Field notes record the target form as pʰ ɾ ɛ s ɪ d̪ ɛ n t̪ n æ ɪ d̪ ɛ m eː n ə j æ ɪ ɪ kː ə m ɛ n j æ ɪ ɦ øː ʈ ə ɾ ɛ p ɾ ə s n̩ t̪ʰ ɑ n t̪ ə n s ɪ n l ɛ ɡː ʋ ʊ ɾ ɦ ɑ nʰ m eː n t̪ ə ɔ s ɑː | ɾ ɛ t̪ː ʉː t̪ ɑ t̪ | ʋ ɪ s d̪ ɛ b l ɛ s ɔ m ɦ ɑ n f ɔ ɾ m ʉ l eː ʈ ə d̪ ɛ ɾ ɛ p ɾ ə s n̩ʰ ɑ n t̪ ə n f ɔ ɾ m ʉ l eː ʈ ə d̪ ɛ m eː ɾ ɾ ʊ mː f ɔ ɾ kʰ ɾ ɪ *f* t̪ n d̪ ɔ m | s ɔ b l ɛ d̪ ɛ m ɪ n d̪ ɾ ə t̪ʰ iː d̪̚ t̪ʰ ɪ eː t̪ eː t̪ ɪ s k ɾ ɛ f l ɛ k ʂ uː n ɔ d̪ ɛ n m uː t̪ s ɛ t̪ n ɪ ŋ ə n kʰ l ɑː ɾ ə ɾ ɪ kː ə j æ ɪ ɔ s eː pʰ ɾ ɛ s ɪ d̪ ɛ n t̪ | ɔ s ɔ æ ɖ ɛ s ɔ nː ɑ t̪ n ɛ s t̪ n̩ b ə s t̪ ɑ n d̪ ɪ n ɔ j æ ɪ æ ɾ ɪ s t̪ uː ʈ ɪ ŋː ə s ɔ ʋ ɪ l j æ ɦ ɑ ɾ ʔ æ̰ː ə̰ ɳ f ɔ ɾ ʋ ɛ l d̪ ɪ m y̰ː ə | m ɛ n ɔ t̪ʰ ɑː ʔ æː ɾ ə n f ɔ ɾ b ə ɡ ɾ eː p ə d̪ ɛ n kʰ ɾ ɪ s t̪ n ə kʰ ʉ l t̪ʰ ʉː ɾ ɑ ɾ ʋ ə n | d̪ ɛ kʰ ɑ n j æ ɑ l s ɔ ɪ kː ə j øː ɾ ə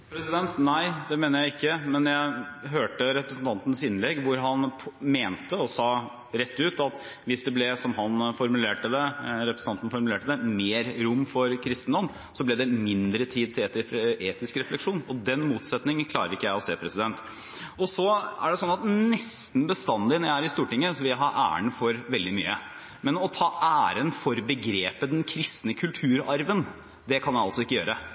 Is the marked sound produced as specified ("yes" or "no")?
no